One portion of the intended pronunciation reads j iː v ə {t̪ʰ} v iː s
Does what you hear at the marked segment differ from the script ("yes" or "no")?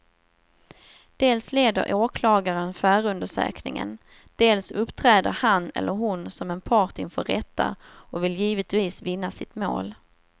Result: yes